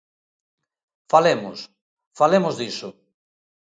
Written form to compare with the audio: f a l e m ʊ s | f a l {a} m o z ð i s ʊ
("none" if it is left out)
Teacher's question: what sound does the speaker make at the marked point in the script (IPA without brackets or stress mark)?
e